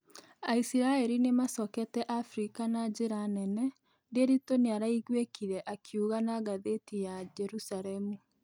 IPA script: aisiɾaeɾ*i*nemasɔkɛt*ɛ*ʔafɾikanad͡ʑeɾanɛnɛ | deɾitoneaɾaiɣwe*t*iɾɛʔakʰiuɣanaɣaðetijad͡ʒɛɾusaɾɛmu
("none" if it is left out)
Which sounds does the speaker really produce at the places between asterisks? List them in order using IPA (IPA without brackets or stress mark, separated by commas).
i, ɛ, k